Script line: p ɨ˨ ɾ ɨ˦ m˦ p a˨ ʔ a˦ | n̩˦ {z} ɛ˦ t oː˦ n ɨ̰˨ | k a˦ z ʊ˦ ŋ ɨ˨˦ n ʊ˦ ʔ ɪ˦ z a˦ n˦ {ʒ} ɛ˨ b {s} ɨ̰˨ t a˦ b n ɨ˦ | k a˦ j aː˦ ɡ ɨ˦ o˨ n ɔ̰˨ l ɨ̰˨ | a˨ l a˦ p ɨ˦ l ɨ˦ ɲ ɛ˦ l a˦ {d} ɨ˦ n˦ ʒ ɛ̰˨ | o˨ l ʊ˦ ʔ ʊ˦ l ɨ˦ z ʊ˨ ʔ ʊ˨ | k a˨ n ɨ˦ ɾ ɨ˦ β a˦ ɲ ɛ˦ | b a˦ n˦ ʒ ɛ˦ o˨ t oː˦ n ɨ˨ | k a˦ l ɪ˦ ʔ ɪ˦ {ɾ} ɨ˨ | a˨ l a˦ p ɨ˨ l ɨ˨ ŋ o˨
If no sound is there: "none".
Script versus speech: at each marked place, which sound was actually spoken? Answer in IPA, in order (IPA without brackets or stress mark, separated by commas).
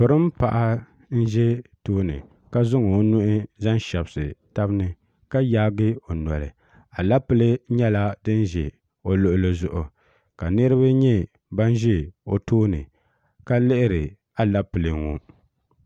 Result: ʒ, ʃ, s, d, ɾ